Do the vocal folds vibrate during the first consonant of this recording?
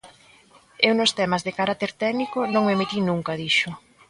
yes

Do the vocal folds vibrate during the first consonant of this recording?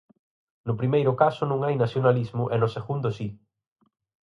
yes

